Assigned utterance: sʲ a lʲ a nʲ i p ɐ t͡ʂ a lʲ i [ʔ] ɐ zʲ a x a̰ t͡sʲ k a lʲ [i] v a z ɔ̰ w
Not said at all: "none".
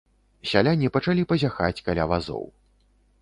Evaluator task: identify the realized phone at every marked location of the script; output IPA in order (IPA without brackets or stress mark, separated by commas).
p, a